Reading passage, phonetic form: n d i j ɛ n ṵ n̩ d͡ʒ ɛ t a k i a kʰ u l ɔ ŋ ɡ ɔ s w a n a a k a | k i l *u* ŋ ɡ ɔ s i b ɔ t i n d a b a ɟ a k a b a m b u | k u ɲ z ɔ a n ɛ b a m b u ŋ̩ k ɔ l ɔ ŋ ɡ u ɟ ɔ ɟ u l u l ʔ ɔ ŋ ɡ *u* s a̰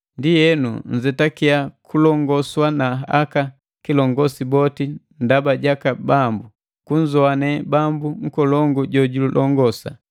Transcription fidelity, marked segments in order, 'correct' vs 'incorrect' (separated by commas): incorrect, incorrect